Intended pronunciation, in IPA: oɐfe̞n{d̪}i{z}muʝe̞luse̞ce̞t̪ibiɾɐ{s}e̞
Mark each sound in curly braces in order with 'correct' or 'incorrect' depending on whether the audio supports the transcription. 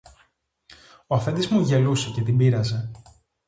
correct, correct, incorrect: z

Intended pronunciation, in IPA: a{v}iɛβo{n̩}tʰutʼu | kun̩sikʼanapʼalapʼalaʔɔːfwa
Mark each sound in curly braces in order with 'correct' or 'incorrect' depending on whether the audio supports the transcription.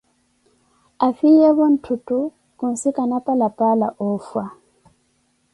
incorrect: f, correct

